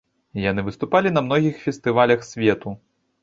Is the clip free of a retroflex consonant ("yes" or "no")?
yes